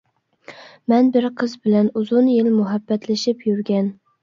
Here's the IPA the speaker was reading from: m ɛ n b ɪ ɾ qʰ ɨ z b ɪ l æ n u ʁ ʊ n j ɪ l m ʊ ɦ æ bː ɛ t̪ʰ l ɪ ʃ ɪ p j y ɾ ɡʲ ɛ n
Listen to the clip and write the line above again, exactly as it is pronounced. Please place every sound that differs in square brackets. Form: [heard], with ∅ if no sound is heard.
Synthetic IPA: m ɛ n b ɪ ɾ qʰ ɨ z b ɪ l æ n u [z] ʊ n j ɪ l m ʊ ɦ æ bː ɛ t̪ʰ l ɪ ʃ ɪ p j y ɾ ɡʲ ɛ n